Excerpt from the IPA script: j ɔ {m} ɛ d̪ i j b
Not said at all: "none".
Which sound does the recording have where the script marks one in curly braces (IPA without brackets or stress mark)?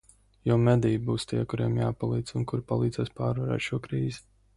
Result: m